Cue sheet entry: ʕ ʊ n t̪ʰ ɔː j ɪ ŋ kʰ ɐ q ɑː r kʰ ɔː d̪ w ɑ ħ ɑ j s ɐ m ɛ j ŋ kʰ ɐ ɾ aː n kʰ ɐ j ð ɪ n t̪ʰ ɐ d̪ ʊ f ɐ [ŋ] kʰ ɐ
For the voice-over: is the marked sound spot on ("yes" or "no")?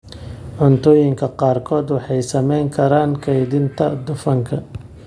yes